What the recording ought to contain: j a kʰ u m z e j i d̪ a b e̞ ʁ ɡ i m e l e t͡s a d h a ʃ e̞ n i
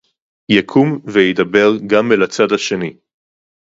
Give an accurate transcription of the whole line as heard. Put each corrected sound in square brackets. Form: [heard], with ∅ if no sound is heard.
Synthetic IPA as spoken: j a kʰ u m [v] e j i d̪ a b e̞ ʁ ɡ [a] m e l [a] t͡s a d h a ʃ e̞ n i

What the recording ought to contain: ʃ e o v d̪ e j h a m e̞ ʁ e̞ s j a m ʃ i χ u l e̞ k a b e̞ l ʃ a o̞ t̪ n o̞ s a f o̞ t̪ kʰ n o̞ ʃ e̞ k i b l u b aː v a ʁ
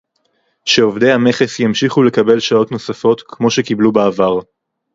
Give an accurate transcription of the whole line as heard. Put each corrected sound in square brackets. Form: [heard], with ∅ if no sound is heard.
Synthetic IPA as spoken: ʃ e o v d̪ e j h a m e̞ [χ] e̞ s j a m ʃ i χ u l e̞ k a b e̞ l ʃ a o̞ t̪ n o̞ s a f o̞ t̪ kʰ [m] o̞ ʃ e̞ k i b l u b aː v a ʁ

